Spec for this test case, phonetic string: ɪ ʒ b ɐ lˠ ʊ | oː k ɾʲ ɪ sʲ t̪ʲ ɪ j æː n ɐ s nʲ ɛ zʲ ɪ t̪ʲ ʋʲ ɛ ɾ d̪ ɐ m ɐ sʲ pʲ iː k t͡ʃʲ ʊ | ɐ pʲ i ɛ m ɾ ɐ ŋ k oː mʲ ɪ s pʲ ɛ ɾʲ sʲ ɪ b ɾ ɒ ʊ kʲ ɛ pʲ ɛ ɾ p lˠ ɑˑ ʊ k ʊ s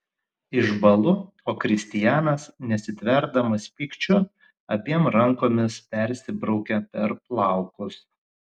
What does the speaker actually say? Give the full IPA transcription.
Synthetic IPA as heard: ɪ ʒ b ɐ lˠ ʊ | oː k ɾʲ ɪ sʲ t̪ʲ ɪ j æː n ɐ s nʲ ɛ sʲ ɪ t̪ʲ ʋʲ ɛ ɾ d̪ ɐ m ɐ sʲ pʲ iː k t͡ʃʲ ʊ | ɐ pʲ i ɛ m ɾ ɐ ŋ k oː mʲ ɪ s pʲ ɛ ɾʲ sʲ ɪ b ɾ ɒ ʊ kʲ ɛ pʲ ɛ ɾ p lˠ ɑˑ ʊ k ʊ s